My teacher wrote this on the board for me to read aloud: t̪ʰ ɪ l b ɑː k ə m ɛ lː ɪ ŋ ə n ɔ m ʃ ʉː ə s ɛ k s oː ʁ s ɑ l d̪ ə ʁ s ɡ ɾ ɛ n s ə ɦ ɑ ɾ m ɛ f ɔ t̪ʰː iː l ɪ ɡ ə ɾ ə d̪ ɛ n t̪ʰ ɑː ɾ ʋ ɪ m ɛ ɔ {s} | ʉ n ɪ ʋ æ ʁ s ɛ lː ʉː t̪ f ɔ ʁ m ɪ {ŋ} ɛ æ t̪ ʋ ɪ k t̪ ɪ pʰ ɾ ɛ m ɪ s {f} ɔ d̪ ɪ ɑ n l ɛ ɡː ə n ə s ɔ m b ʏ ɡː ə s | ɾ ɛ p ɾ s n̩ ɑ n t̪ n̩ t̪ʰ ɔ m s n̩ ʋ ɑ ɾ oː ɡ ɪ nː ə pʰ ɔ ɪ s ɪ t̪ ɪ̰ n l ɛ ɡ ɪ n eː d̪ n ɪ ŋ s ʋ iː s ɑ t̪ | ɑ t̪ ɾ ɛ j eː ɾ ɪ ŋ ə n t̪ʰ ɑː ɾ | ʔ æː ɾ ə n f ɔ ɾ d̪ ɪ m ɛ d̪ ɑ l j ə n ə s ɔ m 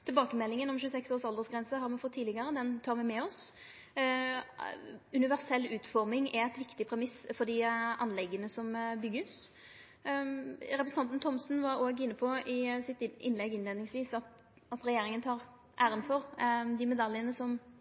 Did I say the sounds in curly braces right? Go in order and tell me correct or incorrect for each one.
correct, correct, correct

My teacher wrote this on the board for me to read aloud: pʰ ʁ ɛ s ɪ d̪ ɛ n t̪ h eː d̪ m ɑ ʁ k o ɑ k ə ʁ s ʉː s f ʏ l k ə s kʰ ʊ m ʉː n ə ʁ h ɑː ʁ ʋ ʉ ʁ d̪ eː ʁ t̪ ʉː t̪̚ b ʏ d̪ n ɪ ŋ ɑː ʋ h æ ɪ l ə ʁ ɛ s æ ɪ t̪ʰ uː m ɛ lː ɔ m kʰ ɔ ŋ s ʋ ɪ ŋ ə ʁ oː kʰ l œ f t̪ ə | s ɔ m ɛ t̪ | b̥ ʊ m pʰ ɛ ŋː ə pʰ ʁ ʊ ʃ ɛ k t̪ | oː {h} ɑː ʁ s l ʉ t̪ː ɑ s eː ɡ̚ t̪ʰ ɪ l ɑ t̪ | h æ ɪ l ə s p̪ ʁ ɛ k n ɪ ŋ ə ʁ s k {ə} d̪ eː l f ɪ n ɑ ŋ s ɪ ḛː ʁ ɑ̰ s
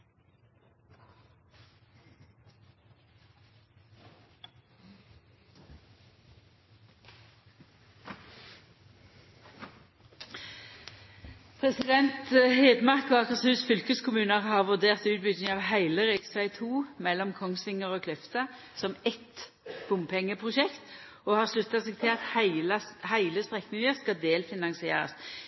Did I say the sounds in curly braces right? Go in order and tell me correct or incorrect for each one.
correct, incorrect: ɑ

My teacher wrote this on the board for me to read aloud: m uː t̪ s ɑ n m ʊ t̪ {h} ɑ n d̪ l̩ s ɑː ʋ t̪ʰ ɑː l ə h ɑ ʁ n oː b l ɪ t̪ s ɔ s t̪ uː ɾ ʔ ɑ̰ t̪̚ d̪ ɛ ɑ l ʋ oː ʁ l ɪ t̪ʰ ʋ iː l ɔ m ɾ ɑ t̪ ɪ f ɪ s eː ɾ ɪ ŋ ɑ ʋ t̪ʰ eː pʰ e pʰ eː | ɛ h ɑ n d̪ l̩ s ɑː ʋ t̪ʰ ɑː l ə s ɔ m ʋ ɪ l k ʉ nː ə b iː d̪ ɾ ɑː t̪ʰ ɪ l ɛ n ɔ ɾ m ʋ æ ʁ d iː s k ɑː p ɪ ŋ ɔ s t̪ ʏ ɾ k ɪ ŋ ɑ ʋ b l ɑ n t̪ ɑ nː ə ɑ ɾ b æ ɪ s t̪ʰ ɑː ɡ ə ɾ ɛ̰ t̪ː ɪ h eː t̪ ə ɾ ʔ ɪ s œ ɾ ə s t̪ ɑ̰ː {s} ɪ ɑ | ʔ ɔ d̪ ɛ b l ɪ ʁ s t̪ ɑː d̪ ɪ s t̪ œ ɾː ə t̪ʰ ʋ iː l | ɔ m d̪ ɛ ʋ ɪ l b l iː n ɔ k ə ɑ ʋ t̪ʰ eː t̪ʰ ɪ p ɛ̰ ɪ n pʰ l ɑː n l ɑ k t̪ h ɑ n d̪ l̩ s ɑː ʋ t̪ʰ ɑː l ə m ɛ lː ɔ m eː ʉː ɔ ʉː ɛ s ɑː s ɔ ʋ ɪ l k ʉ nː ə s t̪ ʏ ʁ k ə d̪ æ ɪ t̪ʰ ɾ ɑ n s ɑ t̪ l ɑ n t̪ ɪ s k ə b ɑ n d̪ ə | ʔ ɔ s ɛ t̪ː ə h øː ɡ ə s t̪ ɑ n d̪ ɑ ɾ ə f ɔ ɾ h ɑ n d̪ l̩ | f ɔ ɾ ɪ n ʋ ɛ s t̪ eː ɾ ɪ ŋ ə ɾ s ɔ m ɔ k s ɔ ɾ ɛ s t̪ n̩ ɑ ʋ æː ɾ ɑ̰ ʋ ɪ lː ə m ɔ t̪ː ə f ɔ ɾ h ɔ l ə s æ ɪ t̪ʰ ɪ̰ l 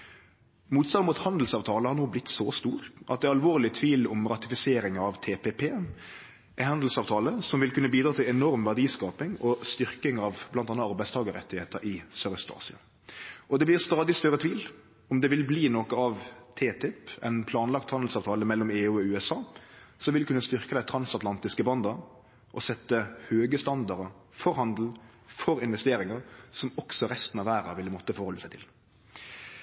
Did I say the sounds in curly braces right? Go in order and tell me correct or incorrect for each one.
correct, correct

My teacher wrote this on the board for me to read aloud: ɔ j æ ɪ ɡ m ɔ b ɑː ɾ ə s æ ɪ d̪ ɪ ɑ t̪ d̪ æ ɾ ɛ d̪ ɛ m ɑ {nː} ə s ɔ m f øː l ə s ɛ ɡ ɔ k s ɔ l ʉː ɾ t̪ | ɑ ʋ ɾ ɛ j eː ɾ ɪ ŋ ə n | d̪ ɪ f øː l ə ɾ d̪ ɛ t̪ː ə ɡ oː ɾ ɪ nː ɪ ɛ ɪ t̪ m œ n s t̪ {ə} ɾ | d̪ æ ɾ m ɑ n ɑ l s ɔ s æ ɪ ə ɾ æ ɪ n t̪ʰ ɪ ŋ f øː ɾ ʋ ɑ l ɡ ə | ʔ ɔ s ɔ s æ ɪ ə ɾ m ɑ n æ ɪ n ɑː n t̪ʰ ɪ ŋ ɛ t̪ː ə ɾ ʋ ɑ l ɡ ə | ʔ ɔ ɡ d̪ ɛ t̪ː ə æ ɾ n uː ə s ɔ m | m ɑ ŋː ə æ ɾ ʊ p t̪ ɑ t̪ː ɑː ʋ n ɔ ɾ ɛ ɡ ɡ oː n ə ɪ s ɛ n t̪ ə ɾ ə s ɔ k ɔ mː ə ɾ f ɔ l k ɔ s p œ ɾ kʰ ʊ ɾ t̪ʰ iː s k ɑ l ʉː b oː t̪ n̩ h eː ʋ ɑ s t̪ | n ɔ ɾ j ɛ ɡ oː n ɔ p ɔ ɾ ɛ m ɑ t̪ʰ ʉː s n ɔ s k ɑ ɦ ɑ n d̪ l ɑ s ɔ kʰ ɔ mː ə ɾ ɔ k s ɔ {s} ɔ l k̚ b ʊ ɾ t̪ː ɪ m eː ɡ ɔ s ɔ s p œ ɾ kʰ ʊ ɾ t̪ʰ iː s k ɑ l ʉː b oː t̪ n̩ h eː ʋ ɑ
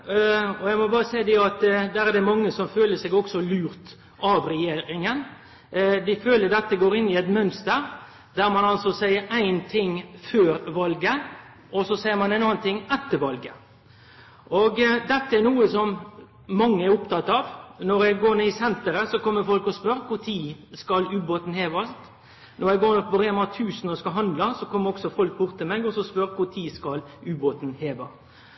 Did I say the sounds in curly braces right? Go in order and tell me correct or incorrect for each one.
incorrect: ŋː, correct, incorrect: f

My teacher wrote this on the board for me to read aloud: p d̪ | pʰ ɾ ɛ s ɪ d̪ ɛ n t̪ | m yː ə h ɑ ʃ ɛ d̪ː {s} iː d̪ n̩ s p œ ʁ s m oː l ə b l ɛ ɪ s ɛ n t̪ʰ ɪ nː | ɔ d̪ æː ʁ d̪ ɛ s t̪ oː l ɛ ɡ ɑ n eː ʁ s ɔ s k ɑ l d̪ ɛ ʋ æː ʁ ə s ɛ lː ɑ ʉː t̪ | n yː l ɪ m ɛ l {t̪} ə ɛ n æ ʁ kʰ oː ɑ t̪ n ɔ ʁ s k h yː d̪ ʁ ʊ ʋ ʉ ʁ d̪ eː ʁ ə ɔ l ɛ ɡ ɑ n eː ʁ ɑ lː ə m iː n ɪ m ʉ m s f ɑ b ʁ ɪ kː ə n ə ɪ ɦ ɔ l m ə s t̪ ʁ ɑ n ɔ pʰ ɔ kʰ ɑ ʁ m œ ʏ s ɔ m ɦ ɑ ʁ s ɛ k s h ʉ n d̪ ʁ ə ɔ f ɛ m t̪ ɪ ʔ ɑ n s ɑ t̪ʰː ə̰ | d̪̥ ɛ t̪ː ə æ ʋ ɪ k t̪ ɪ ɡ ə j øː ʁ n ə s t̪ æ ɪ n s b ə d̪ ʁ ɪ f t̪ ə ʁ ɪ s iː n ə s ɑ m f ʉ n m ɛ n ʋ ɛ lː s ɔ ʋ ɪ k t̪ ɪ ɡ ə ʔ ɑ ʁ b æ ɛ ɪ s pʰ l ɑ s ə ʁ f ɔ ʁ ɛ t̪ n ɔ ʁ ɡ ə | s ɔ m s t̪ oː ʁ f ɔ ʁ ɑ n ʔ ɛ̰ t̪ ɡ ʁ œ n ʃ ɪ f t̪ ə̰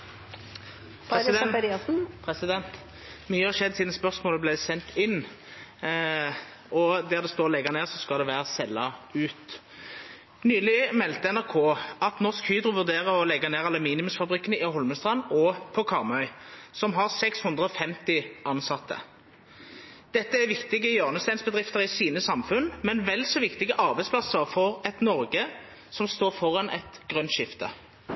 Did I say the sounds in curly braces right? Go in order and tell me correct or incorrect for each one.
correct, correct

